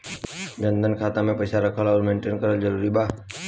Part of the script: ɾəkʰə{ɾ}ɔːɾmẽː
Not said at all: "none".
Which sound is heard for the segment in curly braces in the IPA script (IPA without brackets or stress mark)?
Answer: l